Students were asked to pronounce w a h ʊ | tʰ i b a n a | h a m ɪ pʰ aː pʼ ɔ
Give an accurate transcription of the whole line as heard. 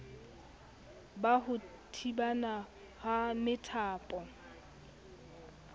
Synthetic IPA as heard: b a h ʊ | tʰ i b a n a | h a m ɪ tʰ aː pʼ ɔ